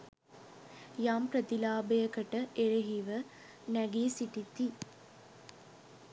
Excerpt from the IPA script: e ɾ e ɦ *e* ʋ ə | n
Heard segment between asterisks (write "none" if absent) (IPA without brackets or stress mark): i